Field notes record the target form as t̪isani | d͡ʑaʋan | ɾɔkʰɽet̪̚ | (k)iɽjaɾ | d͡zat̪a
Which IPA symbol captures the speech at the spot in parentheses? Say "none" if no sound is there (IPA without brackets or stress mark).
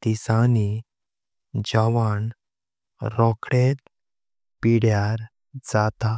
p